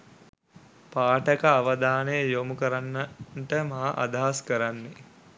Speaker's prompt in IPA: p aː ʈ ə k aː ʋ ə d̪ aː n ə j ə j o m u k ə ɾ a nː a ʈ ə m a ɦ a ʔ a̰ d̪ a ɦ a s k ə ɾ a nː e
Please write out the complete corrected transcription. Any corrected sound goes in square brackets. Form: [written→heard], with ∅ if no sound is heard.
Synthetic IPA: p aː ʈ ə k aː ʋ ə d̪ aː n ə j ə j o m u k ə ɾ a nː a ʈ ə m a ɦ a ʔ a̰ d̪ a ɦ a s k ə ɾ a nː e